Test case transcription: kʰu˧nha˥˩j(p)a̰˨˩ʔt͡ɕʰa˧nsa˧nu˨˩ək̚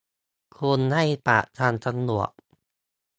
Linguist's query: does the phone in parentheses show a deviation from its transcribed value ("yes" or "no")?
no